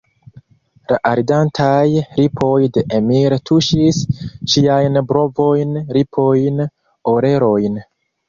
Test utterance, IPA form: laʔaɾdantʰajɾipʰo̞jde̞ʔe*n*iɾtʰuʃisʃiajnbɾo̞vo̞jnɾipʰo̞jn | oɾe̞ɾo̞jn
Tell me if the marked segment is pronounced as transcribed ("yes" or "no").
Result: no